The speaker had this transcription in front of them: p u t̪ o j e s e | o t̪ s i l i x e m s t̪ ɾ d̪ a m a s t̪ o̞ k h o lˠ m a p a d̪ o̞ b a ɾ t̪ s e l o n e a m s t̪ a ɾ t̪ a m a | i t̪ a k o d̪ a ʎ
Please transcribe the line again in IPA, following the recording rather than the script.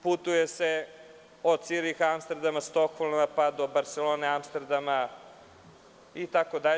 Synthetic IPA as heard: p u t̪ u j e s e | o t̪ s i ɾ i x a m s t̪ ɾ d̪ a m a s t̪ o̞ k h o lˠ m a p a d̪ o̞ b a ɾ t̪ s e l o n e a m s t̪ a ɾ d̪ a m a | i t̪ a k o d̪ a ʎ